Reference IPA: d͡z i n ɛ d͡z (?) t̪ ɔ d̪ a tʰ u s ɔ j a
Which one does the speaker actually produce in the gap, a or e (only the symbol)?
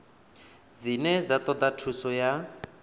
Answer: a